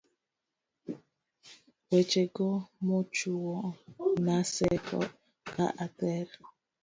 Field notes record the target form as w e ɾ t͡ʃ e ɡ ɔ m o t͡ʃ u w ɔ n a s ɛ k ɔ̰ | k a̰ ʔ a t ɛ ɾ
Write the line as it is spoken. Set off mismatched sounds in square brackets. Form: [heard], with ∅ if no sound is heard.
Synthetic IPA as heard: w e [∅] t͡ʃ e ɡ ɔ m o t͡ʃ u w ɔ n a s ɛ k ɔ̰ | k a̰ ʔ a t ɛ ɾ